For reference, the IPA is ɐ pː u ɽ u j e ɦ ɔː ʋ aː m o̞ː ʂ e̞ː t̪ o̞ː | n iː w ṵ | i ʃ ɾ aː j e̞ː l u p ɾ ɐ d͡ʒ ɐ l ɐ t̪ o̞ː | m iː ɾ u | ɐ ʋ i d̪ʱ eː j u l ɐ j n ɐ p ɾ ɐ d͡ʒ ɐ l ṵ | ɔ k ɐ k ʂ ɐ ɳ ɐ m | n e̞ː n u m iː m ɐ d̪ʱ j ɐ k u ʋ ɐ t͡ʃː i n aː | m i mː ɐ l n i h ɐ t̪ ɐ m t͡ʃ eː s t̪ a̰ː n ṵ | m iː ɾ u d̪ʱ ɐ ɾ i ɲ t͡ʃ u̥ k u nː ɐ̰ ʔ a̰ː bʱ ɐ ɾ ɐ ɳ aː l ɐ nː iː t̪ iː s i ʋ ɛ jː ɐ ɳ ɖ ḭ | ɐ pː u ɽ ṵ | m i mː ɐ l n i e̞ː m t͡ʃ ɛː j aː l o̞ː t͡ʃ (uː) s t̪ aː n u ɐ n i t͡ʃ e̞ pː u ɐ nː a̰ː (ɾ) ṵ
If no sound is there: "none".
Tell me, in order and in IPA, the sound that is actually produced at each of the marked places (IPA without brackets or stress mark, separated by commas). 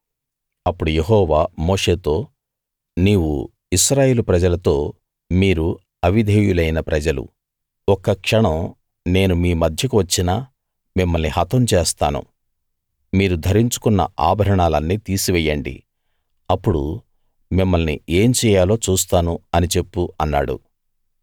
uː, ɽ